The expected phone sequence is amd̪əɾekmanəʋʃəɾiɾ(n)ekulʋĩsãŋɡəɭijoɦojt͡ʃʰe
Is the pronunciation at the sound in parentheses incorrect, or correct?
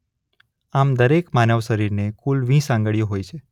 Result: correct